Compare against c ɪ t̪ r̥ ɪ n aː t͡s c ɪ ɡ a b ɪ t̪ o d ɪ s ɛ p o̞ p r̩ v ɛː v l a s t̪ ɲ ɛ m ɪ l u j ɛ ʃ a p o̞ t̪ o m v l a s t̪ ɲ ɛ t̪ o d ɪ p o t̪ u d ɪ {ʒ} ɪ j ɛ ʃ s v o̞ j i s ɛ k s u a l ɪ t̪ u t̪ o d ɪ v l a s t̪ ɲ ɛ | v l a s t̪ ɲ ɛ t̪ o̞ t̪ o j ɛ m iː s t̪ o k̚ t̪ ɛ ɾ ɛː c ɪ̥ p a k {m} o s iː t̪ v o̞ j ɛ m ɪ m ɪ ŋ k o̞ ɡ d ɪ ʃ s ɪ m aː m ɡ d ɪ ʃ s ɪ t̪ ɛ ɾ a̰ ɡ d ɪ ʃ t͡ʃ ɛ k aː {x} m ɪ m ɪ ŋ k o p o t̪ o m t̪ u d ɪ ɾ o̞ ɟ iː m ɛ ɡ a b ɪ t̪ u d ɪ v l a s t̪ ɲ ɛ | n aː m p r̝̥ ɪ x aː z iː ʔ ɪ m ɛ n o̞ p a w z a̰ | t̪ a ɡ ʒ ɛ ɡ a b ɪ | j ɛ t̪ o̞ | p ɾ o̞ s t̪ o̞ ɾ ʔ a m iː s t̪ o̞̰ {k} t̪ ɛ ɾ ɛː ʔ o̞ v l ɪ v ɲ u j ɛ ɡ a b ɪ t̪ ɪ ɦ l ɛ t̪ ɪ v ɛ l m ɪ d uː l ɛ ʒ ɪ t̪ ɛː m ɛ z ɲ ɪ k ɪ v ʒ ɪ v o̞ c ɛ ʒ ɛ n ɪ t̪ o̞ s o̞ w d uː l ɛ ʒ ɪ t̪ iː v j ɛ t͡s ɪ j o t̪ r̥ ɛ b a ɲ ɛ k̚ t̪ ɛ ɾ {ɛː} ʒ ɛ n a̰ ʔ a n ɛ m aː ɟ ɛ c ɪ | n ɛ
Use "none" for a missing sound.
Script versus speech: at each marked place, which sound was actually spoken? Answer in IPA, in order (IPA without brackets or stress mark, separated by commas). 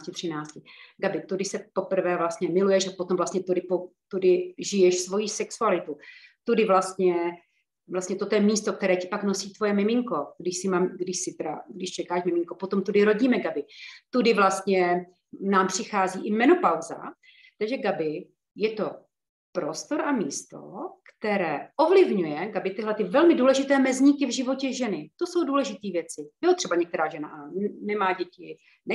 ʒ, n, ʃ, k, aː